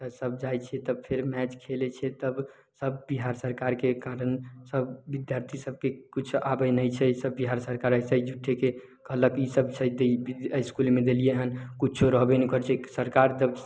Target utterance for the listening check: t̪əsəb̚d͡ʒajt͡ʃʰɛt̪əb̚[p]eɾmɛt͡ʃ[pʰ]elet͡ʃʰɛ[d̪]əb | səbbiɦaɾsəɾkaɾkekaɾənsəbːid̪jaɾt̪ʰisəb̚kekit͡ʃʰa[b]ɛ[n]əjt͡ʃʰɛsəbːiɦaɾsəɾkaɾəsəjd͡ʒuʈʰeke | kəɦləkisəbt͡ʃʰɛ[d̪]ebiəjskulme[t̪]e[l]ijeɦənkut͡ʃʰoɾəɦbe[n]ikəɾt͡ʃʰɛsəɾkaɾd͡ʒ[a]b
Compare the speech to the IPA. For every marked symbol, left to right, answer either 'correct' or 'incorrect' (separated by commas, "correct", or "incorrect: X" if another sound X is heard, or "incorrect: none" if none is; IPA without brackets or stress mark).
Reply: incorrect: pʰ, incorrect: kʰ, incorrect: t̪, correct, correct, correct, incorrect: d̪, correct, correct, incorrect: ə